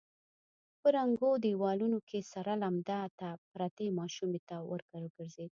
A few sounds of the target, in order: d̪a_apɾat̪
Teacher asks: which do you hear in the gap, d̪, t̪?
t̪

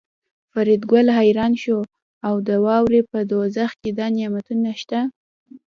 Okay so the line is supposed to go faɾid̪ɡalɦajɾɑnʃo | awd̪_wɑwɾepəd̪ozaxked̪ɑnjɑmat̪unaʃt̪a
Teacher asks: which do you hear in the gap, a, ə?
ə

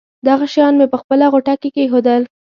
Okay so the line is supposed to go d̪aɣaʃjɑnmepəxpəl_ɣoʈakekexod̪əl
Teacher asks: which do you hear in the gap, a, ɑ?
a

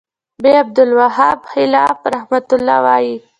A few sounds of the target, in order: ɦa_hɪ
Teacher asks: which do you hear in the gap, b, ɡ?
b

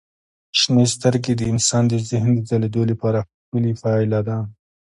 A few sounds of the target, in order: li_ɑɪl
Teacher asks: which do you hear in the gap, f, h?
f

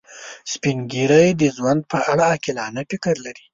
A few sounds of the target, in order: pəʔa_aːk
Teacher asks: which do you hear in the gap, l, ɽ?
ɽ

